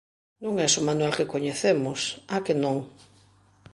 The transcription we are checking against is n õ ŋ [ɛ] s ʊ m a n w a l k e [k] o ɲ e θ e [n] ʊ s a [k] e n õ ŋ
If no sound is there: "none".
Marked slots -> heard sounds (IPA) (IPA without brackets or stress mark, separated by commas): ɛ, k, m, k